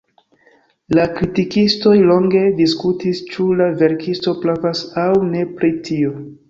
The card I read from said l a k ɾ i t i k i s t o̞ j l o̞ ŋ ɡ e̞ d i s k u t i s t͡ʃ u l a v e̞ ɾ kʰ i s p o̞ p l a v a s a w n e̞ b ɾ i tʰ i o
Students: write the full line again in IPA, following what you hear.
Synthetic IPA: l a k ɾ i t i k i s t o̞ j l o̞ ŋ ɡ e̞ d i s k u t i s t͡ʃ u l a v e̞ ɾ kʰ i s t o̞ p l a v a s a w n e̞ p ɾ i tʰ i o